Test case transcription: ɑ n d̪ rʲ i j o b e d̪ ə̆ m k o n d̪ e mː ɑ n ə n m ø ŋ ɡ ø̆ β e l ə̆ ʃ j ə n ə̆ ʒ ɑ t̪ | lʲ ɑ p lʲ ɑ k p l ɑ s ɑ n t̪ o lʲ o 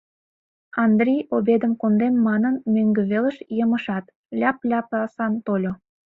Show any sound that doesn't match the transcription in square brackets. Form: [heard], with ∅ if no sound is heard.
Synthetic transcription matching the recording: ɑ n d̪ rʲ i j o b e d̪ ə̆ m k o n d̪ e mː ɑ n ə n m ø ŋ ɡ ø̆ β e l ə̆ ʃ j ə [m] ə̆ [ʃ] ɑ t̪ | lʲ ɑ p lʲ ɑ [∅] p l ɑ s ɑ n t̪ o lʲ o